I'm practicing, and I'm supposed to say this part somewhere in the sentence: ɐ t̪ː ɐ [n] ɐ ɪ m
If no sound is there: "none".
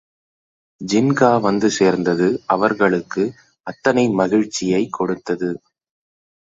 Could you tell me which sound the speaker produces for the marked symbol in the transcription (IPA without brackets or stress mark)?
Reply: n